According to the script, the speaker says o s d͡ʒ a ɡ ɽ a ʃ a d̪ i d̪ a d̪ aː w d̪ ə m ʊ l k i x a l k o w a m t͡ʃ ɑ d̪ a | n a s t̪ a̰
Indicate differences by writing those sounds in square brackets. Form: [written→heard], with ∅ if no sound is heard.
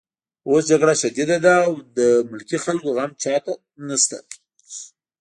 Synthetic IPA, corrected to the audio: o s d͡ʒ a ɡ ɽ a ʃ a d̪ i d̪ a d̪ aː w d̪ ə m ʊ l k i x a l k o [w→ɣ] a m t͡ʃ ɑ [d̪→t̪] a | n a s t̪ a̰